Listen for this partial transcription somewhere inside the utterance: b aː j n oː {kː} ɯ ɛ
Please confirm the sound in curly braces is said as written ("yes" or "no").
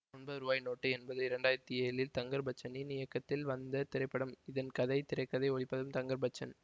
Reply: no